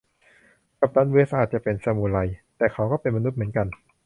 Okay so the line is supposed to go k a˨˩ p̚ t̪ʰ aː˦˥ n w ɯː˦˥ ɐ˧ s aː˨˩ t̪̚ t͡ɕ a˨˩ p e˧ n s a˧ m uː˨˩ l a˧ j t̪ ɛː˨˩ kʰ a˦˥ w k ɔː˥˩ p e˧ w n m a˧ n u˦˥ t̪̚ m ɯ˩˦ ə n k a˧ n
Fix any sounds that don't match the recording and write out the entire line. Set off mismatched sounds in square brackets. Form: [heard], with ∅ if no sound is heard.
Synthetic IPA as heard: k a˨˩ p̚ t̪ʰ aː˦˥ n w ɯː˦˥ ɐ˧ s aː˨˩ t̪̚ t͡ɕ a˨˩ p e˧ n s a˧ m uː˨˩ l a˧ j t̪ ɛː˨˩ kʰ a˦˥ w k ɔː˥˩ p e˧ [∅] n m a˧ n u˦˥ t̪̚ m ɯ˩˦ ə n k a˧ n